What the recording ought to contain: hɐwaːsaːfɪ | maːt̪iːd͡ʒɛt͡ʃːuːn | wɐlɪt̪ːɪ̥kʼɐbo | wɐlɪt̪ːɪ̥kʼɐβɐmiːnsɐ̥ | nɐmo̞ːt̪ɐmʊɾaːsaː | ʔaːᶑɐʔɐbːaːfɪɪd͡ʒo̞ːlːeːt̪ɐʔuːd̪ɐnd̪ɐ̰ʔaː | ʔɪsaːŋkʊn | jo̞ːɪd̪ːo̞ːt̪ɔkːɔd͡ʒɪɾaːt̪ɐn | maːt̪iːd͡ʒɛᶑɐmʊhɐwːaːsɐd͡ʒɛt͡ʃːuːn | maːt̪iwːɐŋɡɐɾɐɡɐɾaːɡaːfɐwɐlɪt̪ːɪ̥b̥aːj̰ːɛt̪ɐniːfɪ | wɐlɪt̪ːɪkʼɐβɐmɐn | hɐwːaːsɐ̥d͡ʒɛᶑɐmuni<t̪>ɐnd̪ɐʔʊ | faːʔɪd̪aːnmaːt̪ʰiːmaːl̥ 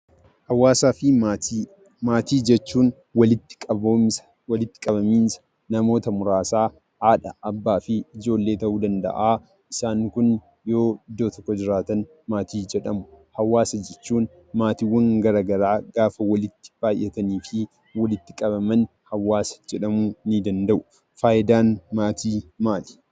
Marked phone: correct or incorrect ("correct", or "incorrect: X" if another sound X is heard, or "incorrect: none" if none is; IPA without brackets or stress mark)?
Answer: incorrect: d̪